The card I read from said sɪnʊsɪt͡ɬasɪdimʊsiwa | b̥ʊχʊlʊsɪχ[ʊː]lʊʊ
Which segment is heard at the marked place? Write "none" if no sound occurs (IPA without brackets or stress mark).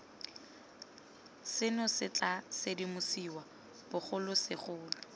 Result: ʊː